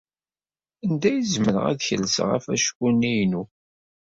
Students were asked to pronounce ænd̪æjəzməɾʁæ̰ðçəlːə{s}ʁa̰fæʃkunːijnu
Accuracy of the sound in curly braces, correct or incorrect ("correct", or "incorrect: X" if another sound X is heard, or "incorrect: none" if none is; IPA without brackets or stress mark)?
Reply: correct